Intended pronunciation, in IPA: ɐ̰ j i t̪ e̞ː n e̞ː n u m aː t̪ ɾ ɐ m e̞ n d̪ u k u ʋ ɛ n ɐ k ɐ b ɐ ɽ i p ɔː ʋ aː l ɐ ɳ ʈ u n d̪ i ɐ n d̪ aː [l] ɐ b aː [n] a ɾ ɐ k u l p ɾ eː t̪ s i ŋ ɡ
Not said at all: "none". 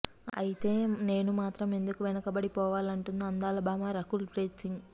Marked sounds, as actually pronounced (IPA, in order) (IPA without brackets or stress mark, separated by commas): l, m